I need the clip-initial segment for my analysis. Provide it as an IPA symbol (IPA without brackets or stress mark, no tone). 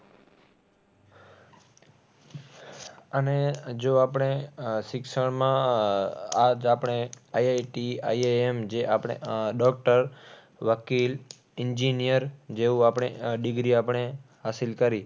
ə